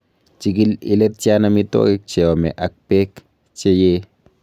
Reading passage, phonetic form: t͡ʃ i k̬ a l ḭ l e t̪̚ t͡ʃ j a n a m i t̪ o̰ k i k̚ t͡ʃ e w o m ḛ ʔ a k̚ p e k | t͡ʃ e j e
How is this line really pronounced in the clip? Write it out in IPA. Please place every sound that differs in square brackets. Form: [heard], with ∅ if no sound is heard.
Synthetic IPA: t͡ʃ i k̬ [i] l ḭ l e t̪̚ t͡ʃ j a n a m i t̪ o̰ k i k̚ t͡ʃ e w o m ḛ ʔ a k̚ p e k | t͡ʃ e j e